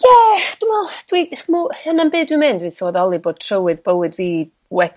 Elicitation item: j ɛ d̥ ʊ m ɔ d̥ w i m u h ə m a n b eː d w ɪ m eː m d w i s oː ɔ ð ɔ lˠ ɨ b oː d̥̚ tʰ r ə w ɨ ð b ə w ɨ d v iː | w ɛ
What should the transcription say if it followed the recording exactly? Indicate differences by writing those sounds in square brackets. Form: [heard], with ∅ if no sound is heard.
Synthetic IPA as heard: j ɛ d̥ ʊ m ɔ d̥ w i m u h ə [n] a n b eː d w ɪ m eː [n] d w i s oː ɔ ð ɔ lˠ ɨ b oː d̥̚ tʰ r ə w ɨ ð b ə w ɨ d v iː | w ɛ